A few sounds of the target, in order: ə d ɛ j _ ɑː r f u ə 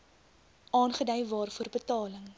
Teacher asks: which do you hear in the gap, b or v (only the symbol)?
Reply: v